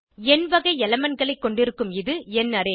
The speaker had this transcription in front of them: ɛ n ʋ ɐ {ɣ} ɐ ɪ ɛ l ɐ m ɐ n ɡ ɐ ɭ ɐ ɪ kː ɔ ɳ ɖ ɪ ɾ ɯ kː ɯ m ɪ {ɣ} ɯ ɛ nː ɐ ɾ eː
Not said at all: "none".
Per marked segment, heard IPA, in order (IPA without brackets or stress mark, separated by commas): ɣ, ð